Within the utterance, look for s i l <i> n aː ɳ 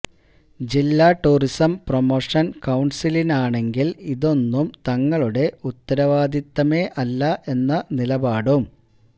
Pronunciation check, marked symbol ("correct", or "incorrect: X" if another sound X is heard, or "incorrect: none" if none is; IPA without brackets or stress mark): correct